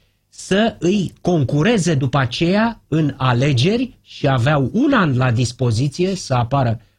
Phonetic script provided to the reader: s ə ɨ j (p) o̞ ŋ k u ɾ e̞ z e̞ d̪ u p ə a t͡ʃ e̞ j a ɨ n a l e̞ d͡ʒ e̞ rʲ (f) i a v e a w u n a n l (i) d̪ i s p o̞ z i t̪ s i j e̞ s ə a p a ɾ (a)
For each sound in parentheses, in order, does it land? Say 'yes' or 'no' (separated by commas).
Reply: no, no, no, no